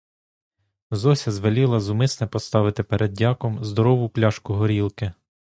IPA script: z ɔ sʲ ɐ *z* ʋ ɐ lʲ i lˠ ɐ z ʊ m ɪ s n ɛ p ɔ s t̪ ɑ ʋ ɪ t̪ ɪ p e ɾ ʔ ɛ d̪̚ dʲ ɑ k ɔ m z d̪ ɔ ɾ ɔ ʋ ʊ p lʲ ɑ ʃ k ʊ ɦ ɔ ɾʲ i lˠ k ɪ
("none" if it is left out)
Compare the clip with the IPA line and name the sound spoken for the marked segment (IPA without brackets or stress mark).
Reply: z